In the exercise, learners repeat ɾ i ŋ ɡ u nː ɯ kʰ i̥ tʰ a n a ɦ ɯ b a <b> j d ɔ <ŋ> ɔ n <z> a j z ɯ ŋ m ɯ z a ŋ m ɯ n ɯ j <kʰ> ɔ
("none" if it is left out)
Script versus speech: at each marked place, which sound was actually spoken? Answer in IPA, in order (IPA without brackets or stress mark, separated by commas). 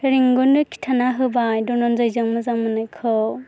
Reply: none, n, z, kʰ